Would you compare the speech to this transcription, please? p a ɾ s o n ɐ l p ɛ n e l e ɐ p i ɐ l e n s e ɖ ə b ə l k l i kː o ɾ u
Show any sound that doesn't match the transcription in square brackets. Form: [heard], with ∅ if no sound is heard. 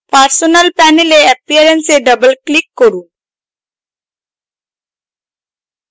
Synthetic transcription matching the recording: p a ɾ s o n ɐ l p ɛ n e l e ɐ p i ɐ [ɾ] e n s e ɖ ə b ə l k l i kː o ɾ u